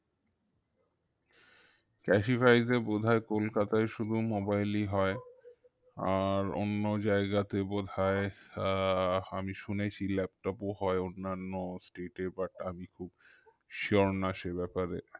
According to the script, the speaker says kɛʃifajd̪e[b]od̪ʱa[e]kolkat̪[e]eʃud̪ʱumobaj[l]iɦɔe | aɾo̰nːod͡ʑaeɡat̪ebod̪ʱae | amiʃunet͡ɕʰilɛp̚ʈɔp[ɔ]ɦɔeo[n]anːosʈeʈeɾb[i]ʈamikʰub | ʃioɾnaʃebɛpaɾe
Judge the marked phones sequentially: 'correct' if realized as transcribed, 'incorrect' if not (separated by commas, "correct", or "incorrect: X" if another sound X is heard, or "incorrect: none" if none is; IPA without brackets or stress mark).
correct, correct, incorrect: a, correct, incorrect: o, incorrect: nː, incorrect: a